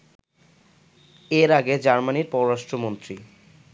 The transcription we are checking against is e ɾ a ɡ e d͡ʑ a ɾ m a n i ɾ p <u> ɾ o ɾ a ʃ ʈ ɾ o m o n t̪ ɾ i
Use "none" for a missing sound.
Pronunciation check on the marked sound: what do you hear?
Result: ɔ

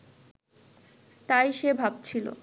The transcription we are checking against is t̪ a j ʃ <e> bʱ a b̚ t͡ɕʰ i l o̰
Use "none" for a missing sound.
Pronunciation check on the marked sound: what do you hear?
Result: e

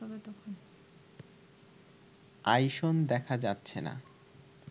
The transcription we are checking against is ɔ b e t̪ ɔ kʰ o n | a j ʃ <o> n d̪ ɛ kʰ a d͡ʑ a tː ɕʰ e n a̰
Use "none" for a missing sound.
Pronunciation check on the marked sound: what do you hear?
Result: o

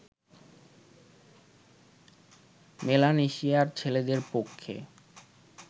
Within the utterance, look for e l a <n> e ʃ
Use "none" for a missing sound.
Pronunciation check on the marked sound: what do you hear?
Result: n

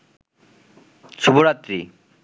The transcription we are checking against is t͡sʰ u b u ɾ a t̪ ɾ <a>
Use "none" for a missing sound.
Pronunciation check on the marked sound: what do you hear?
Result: i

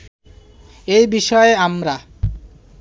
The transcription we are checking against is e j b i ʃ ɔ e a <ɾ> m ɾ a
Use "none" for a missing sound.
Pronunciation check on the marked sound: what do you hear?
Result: none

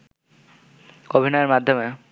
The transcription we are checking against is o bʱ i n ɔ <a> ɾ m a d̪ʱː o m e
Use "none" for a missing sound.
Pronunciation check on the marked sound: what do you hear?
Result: e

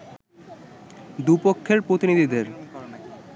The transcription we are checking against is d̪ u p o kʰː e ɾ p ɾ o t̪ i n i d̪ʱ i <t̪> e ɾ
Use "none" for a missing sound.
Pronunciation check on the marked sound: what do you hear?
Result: d̪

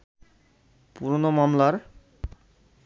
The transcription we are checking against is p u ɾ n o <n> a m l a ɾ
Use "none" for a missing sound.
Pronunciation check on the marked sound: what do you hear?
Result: m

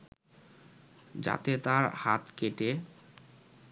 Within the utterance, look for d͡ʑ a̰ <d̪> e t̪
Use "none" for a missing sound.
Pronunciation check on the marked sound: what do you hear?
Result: t̪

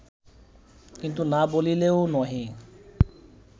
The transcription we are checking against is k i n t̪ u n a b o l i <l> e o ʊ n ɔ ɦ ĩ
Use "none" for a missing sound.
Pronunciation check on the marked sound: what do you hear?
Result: l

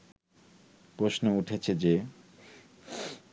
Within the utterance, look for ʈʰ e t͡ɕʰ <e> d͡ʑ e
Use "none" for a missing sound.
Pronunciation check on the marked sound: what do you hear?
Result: e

